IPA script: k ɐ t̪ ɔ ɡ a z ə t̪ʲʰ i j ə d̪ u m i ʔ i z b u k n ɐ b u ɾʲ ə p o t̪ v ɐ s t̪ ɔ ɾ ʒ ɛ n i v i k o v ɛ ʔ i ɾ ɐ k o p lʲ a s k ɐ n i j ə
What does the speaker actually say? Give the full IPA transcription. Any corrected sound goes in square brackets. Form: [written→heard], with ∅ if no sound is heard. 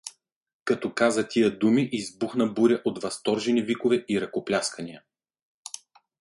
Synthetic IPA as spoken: k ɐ t̪ ɔ [ɡ→k] a z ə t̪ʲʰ i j ə d̪ u m i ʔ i z b u [k→x] n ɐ b u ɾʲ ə [p→ʔ] o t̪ v ɐ s t̪ ɔ ɾ ʒ ɛ n i v i k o v ɛ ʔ i ɾ ɐ k o p lʲ a s k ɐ n i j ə